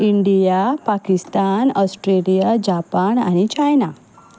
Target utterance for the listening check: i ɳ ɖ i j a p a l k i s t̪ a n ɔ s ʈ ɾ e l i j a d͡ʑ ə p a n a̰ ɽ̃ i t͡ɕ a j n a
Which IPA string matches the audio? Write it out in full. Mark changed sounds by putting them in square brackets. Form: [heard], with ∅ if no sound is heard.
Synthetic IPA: i ɳ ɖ i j a p a [∅] k i s t̪ a n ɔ s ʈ ɾ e l i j a d͡ʑ [a] p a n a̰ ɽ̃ i t͡ɕ a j n a